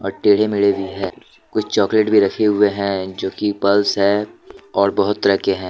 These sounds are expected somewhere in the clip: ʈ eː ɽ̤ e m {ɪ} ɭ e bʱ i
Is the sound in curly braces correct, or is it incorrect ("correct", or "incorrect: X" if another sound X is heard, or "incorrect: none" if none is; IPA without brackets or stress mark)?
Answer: correct